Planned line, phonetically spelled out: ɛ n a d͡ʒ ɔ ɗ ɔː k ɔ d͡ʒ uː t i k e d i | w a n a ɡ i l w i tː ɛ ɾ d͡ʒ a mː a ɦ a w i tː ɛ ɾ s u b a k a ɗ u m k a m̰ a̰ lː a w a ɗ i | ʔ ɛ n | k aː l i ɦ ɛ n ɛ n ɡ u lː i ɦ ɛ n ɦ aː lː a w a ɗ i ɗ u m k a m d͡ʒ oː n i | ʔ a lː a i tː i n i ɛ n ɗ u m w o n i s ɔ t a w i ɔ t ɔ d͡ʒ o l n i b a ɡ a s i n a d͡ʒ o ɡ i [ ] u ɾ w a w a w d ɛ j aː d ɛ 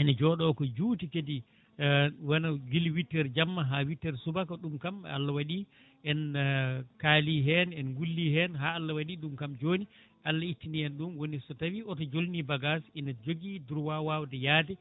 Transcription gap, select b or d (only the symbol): d